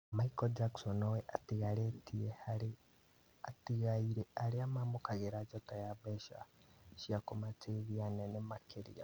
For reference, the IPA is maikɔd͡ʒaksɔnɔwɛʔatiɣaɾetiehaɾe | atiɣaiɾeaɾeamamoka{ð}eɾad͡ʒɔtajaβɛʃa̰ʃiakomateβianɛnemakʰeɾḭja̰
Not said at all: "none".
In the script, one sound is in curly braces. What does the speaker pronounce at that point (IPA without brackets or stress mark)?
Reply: ɣ